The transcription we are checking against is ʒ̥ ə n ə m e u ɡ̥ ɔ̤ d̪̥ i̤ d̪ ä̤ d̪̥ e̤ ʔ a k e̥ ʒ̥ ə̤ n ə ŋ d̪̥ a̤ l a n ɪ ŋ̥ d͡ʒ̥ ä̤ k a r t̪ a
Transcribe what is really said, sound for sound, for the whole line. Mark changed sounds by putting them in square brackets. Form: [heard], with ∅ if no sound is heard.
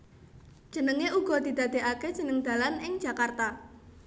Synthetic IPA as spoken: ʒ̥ ə n ə [ŋ] e u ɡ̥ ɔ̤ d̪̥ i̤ d̪ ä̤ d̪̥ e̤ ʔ a k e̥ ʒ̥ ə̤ n ə ŋ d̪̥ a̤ l a n ɪ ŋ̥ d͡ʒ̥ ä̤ k a r t̪ a